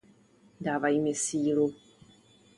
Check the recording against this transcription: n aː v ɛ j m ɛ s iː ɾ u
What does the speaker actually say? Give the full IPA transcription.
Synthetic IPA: d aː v a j m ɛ s iː l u